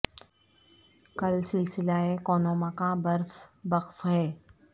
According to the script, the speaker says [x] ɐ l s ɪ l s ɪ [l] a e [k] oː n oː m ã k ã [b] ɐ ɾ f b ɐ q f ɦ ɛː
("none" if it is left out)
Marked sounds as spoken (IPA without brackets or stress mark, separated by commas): k, l, k, b